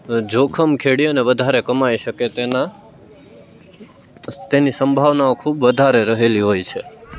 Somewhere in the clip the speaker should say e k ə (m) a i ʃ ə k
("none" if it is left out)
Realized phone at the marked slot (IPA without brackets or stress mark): m